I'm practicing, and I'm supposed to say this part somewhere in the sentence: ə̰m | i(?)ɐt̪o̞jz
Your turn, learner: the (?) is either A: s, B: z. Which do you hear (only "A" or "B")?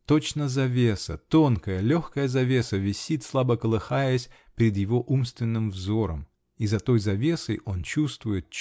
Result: B